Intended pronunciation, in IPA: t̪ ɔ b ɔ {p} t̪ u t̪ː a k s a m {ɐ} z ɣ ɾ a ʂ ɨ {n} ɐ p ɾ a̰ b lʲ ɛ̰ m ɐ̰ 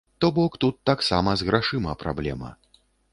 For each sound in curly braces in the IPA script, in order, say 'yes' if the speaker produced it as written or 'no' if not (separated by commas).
no, yes, no